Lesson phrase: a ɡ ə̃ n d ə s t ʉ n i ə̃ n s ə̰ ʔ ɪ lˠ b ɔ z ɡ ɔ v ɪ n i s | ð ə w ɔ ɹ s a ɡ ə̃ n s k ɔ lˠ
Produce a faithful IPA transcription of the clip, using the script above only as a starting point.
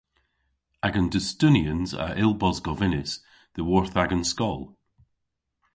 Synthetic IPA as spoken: a ɡ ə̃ n d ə s t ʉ n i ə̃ n z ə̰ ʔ ɪ lˠ b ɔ z ɡ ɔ v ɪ n ɪ s | ð ə w ɔ ɹ θ a ɡ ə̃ n s k ɔ lˠ